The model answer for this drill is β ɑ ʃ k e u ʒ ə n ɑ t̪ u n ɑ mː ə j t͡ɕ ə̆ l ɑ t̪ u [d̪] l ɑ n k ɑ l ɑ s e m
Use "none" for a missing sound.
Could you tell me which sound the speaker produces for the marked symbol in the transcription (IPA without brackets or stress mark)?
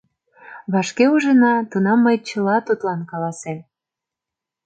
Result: t̪